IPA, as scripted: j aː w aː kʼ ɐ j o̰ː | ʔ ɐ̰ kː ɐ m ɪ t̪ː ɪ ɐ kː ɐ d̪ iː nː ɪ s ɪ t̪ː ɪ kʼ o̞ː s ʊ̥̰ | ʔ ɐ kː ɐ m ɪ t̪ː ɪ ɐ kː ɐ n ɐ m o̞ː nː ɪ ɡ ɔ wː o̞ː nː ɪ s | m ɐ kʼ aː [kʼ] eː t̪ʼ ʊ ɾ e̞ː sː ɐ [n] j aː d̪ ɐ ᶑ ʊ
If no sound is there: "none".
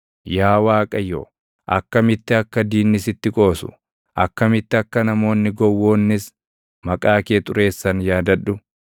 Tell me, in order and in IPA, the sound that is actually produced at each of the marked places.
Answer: k, n

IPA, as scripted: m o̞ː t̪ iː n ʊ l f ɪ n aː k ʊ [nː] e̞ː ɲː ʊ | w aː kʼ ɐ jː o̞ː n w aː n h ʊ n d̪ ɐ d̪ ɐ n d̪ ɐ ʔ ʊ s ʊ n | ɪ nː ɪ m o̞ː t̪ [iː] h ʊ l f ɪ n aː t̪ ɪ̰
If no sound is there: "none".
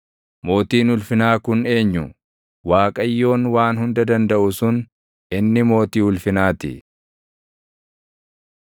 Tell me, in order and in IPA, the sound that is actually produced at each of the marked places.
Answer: n, iː

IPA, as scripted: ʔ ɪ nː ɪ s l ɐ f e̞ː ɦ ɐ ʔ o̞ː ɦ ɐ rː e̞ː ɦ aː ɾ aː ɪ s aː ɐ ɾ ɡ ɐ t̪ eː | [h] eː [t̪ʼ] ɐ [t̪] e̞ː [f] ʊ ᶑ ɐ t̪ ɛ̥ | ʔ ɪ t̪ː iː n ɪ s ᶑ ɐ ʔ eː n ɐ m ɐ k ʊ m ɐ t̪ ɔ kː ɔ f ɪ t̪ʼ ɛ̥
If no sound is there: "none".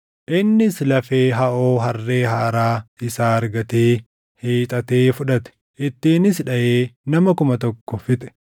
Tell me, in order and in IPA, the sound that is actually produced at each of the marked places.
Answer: h, t̪ʼ, t̪, f

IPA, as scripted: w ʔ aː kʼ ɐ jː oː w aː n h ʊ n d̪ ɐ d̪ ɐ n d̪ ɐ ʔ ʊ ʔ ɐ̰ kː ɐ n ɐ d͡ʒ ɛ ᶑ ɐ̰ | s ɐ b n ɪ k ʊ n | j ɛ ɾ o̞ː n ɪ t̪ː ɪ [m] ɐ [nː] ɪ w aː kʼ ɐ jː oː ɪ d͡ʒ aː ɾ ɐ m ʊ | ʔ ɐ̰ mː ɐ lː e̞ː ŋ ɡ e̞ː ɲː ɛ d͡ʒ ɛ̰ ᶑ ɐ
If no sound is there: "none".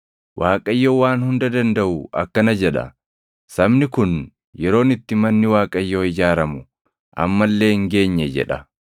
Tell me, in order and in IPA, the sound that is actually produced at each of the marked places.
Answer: m, nː

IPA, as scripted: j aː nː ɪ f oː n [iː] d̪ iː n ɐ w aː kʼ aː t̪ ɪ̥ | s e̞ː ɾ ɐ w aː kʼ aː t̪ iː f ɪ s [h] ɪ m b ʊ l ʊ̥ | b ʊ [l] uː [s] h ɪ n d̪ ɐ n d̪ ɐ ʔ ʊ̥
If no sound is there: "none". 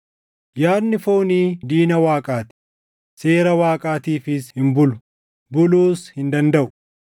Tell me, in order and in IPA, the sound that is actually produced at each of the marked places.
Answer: iː, h, l, s

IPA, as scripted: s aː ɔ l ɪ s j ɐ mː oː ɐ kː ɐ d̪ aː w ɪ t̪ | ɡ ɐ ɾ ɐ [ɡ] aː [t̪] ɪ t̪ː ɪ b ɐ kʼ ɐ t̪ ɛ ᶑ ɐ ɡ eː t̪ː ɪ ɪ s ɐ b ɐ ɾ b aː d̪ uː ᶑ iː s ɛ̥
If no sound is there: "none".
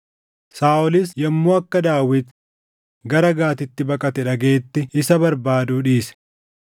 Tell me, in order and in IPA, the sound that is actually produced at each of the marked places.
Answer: ɡ, t̪

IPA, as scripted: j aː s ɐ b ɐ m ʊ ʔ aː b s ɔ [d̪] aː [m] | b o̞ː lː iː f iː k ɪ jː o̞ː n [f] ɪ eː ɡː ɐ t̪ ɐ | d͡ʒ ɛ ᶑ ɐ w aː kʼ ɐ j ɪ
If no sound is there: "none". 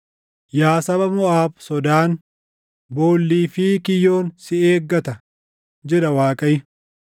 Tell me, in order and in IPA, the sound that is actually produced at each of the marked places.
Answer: d̪, n, s

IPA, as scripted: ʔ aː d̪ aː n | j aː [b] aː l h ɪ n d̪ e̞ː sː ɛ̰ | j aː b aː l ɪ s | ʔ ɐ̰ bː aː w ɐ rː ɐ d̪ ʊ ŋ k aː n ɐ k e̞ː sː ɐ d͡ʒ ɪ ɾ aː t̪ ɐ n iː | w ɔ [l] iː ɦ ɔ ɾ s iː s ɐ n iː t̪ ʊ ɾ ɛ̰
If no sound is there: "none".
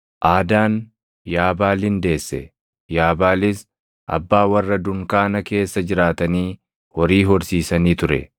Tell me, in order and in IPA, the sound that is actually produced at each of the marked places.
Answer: b, ɾ

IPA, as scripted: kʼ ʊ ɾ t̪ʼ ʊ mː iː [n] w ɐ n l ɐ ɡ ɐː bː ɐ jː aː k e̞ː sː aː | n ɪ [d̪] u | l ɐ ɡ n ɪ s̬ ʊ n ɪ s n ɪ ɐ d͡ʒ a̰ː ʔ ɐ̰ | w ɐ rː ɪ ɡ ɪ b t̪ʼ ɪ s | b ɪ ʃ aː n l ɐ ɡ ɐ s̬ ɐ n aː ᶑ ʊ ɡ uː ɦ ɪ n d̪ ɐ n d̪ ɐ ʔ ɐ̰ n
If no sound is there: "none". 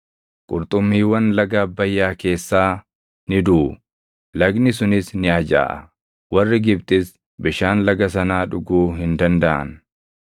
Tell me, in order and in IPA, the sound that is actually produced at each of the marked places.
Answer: none, d̪

